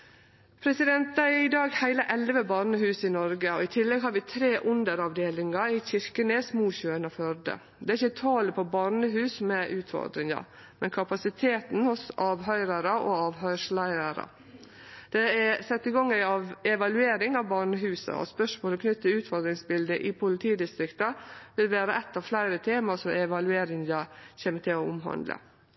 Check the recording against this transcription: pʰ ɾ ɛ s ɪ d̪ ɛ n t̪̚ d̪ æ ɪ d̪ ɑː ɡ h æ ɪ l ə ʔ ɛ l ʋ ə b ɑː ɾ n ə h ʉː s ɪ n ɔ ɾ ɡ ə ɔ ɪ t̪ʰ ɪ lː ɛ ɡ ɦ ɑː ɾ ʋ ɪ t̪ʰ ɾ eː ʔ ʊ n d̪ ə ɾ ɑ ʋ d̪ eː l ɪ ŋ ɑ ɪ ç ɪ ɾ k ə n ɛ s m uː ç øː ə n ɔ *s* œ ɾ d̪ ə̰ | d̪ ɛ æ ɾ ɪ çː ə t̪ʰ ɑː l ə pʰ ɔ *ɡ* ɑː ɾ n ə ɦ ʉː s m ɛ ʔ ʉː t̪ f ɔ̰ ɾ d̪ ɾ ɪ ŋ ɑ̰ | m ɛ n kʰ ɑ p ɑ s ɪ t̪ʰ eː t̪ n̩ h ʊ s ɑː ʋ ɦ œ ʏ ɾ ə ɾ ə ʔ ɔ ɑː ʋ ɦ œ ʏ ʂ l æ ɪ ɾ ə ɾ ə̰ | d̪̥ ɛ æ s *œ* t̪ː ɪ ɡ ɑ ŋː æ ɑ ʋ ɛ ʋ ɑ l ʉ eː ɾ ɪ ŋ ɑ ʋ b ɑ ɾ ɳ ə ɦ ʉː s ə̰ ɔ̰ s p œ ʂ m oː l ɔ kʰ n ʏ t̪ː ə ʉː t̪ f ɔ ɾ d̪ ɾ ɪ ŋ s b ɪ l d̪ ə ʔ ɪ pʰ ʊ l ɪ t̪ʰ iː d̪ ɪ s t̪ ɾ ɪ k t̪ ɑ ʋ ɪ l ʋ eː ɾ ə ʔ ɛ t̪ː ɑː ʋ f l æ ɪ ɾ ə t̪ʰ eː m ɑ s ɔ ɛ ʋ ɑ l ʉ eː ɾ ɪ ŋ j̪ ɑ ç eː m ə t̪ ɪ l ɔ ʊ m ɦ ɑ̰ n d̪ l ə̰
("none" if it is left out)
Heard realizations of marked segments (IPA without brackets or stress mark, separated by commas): f, b, ɛ